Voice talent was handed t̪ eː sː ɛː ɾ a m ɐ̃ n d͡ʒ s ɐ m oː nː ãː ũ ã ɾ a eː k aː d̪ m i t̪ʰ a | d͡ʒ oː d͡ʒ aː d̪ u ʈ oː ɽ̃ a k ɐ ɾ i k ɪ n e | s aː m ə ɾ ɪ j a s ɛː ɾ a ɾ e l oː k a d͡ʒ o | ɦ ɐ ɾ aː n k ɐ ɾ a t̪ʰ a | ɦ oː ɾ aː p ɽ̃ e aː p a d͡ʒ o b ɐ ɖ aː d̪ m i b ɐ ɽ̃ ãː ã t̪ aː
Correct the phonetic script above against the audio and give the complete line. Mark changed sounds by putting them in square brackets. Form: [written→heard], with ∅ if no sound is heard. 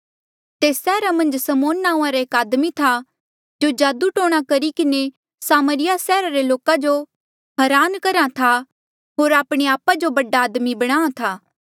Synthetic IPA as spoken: t̪ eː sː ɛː ɾ a m ɐ̃ n d͡ʒ s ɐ m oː nː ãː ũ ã ɾ a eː k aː d̪ m i t̪ʰ a | d͡ʒ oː d͡ʒ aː d̪ u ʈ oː ɽ̃ a k ɐ ɾ i k ɪ n e | s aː m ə ɾ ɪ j a s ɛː ɾ a ɾ e l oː k a d͡ʒ o | ɦ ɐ ɾ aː n k ɐ ɾ a t̪ʰ a | ɦ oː ɾ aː p ɽ̃ e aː p a d͡ʒ o b ɐ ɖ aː d̪ m i b ɐ ɽ̃ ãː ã [t̪→t̪ʰ] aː